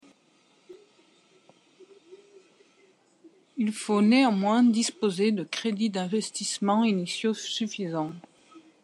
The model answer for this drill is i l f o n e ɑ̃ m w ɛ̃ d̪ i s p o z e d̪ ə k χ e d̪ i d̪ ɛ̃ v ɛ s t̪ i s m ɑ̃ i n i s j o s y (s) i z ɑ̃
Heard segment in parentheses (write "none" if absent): f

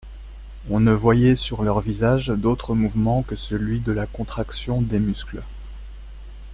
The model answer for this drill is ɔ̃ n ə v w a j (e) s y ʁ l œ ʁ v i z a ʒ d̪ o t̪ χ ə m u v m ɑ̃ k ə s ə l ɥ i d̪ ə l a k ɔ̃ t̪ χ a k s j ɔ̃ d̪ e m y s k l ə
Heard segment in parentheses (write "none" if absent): ɛ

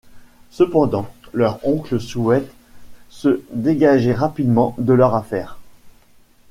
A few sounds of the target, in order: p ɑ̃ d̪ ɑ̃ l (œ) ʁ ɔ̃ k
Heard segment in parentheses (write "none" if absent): œ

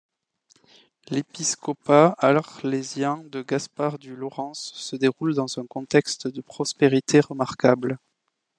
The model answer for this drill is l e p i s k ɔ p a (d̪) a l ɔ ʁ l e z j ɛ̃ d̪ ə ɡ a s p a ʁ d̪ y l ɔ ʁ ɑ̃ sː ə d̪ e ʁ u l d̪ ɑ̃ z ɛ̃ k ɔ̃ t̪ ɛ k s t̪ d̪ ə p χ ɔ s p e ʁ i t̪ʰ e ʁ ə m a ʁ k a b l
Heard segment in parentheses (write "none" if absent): none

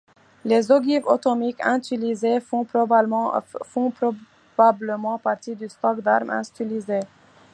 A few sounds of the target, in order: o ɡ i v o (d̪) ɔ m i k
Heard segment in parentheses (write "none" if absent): t̪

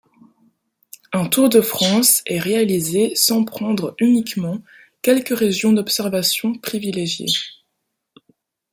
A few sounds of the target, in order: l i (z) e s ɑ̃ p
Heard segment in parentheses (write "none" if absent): z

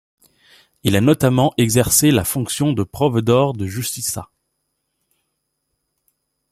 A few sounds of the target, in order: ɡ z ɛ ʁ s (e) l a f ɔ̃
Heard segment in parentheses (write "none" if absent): e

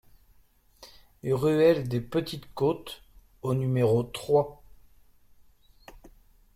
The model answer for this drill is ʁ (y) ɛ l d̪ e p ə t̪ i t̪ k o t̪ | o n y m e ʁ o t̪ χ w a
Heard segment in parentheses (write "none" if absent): y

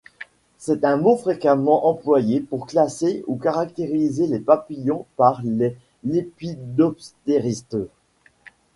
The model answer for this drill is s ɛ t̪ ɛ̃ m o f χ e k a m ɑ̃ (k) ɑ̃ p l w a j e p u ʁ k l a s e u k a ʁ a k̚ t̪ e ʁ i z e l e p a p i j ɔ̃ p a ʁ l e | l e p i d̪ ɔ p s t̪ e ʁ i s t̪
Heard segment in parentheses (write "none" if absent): ʔ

